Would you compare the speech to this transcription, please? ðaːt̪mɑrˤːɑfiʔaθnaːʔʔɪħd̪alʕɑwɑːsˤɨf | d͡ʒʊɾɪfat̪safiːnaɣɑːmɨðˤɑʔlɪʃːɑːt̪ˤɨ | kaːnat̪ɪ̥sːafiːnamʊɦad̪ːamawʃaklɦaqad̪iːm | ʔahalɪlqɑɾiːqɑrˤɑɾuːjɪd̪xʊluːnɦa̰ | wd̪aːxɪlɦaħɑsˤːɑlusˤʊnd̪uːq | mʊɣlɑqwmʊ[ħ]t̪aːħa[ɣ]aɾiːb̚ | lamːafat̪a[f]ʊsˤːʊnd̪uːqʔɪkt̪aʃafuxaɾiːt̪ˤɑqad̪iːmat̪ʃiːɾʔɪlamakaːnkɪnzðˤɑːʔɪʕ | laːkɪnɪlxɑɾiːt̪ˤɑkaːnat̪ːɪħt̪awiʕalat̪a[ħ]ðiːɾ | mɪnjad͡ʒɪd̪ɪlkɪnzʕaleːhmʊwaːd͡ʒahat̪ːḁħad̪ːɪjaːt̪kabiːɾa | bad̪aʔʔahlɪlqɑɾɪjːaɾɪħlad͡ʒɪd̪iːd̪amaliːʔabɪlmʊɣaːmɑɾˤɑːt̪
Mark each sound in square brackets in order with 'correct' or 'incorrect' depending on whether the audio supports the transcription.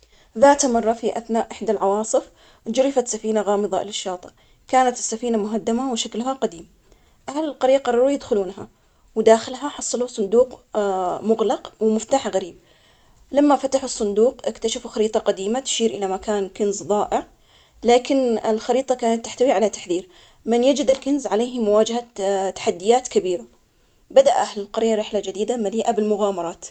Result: incorrect: f, correct, incorrect: ħ, correct

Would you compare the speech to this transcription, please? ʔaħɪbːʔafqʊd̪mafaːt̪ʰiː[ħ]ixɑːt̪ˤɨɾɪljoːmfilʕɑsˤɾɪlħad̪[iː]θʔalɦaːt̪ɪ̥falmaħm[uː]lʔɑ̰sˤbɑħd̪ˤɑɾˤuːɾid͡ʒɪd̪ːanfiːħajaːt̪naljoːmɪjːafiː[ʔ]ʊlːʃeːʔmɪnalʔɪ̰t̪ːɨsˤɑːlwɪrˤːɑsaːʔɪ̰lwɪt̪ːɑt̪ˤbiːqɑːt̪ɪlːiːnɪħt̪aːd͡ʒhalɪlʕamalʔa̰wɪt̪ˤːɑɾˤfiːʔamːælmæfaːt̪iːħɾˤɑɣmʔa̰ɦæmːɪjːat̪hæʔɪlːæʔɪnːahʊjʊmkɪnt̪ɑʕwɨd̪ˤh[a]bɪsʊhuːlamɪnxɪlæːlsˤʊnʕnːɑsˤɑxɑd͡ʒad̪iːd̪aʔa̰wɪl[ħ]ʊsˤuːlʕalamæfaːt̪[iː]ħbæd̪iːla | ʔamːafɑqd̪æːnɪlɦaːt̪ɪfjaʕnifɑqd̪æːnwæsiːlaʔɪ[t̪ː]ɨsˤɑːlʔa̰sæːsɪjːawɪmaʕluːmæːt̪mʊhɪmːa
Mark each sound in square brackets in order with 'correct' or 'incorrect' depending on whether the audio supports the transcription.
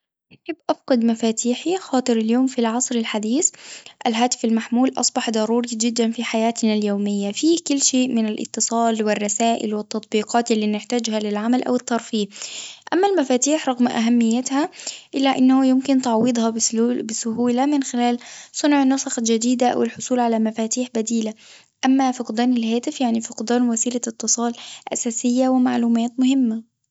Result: correct, correct, correct, incorrect: k, incorrect: ɑ, correct, correct, correct

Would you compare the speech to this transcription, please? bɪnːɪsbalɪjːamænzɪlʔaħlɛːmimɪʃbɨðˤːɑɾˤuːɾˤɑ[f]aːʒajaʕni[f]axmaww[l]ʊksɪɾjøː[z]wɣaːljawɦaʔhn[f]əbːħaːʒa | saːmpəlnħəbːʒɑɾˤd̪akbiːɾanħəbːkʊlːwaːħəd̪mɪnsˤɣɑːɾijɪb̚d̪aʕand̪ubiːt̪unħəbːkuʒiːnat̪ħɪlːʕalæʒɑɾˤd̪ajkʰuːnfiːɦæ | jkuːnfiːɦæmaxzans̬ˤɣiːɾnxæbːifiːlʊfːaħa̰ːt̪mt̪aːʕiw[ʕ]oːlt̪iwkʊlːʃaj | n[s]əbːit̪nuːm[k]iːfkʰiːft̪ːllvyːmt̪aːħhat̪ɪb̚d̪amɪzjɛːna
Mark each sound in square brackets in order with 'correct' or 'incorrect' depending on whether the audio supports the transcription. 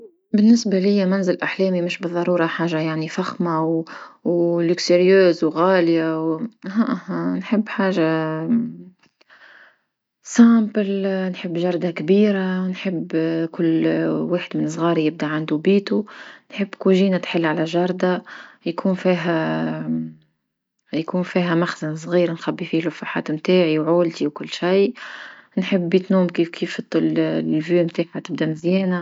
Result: incorrect: ħ, correct, correct, correct, incorrect: ħ, correct, incorrect: ħ, correct

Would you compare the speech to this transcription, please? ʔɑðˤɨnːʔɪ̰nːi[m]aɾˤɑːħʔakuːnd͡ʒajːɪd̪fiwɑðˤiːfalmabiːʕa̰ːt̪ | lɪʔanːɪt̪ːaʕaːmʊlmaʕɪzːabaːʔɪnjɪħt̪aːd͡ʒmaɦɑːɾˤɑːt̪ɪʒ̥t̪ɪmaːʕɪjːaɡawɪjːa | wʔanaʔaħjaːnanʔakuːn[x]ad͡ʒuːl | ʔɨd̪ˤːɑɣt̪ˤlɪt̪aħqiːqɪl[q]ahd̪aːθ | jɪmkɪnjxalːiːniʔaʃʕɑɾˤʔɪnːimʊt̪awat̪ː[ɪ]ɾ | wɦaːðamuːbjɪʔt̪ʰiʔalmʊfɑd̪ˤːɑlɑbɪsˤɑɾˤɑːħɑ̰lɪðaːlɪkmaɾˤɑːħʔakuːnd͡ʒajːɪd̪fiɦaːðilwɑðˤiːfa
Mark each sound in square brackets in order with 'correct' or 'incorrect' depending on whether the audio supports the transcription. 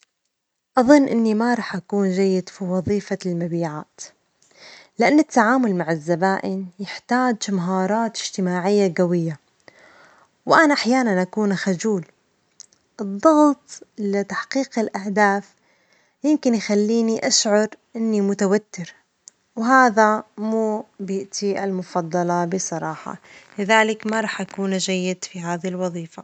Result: correct, correct, incorrect: ʔ, correct

